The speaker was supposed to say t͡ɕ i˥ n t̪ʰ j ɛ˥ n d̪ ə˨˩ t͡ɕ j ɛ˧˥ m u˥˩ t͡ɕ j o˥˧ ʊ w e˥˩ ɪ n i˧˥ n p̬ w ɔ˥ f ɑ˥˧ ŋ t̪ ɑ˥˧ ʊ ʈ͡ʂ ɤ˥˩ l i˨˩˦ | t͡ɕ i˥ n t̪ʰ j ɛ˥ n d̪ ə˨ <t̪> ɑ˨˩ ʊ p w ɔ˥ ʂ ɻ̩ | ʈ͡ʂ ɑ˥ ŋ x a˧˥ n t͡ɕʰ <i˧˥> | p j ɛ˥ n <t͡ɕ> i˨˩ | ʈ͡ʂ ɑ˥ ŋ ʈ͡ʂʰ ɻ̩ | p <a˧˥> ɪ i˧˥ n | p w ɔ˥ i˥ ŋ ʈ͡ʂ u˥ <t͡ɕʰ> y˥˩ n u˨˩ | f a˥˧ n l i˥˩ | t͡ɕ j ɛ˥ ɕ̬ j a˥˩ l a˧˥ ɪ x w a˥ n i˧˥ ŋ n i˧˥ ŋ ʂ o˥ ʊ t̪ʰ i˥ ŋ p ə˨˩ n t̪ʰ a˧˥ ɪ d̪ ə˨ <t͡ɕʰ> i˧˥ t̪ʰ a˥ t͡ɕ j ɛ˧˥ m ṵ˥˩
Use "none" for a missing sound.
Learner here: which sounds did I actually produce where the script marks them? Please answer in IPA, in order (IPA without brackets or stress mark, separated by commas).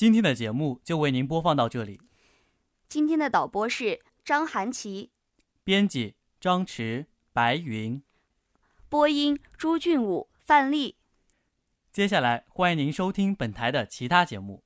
t̪, i˧˥, t͡ɕ, a˧˥, t͡ɕ, t͡ɕʰ